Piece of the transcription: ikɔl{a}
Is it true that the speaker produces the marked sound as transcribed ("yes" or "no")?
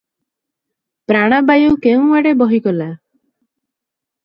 yes